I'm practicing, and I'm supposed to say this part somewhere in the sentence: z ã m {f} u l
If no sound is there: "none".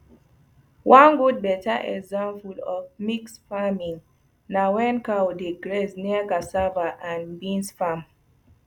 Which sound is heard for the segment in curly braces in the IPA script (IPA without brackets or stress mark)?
f